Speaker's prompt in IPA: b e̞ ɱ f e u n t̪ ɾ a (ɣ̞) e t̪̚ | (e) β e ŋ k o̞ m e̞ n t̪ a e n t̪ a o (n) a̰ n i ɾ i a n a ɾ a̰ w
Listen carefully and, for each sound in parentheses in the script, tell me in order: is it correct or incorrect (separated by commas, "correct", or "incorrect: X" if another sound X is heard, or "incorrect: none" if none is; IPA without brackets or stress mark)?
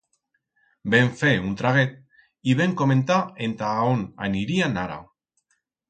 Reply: correct, incorrect: i, correct